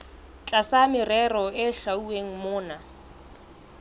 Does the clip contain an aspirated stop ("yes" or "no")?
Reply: no